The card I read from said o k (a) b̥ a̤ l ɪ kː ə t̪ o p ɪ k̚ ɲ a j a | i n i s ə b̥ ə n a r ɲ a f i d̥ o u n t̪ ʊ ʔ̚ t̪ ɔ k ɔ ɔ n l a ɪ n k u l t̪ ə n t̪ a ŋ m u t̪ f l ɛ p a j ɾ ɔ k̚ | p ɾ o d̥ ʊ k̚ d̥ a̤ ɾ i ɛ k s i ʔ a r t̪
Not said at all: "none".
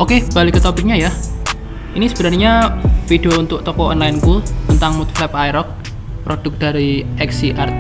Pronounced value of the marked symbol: e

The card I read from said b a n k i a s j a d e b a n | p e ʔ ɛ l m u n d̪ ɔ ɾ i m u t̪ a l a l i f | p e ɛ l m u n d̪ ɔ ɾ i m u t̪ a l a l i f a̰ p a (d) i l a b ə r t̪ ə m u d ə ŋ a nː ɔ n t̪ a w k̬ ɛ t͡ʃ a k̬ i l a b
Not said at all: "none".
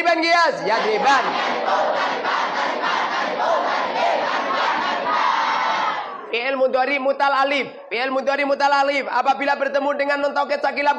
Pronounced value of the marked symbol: b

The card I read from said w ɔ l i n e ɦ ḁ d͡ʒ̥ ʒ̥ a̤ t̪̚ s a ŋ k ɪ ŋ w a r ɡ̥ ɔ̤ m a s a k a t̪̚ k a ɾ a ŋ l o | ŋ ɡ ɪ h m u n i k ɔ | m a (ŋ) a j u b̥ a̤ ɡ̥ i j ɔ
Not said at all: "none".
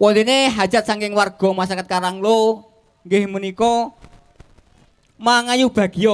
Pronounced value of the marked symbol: ŋ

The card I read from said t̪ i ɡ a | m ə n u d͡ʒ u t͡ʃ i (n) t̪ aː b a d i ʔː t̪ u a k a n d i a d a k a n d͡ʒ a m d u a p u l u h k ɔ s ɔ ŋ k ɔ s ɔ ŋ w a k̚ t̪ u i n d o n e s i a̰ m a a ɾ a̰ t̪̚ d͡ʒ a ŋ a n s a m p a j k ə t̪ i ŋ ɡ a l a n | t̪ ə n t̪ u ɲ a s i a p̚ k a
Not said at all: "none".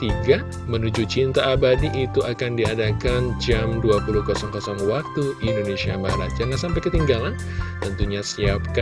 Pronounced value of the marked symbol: n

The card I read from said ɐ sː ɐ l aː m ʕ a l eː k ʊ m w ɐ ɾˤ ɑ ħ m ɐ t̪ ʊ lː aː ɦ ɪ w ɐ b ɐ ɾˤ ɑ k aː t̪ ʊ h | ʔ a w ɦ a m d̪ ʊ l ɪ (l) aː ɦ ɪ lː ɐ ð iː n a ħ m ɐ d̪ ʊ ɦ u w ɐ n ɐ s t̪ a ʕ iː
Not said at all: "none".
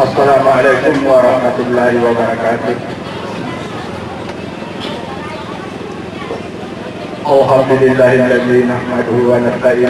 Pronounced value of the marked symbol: lː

